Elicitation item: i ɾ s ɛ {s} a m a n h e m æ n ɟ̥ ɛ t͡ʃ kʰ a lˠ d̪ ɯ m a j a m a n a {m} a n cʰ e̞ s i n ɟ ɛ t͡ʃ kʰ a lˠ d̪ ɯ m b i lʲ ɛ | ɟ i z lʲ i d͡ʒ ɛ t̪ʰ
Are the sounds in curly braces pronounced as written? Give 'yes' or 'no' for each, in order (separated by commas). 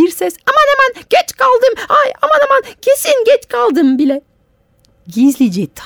yes, yes